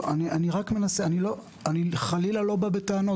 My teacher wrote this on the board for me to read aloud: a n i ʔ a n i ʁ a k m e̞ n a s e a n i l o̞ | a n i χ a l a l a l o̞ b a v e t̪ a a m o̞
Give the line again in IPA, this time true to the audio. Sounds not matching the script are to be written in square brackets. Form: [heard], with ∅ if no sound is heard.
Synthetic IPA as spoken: a n i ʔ a n i ʁ a k m e̞ n a s e a n i l o̞ | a n i χ a l [i] l a l o̞ b a [b] e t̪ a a [n] o̞